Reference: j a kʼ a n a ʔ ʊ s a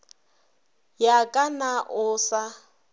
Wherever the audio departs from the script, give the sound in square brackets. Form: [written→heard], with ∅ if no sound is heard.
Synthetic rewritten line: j a kʼ a n a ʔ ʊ s a